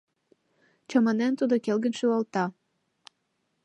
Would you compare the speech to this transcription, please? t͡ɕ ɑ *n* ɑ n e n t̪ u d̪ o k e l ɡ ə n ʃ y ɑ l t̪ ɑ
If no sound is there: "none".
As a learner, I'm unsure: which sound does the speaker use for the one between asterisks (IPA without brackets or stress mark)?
m